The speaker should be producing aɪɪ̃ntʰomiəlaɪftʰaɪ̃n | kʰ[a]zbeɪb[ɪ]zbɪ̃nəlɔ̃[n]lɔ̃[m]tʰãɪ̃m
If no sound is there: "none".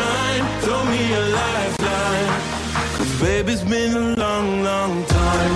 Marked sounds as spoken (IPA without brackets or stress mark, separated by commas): ʌ, i, ŋ, ŋ